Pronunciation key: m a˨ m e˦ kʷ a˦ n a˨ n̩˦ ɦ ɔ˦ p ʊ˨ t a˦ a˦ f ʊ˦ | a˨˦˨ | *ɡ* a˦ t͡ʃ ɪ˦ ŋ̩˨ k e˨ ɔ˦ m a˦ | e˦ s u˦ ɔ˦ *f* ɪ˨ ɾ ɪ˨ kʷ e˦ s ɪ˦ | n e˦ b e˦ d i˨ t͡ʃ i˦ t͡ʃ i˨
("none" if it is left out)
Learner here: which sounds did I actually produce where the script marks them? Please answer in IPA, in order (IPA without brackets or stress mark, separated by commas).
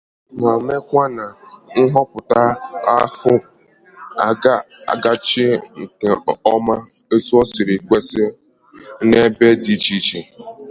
ɡ, s